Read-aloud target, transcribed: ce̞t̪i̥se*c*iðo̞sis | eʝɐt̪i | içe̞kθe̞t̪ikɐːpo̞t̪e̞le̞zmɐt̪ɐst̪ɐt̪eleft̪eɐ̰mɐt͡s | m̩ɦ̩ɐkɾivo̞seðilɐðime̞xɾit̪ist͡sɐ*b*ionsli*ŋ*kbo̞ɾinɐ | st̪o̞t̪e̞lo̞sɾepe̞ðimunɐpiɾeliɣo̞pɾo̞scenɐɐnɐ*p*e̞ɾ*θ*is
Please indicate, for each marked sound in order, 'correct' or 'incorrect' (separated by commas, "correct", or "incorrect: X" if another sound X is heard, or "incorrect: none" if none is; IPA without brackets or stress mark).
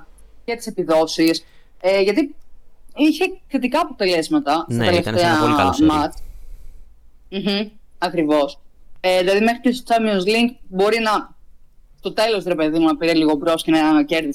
incorrect: p, incorrect: m, correct, incorrect: c, incorrect: ð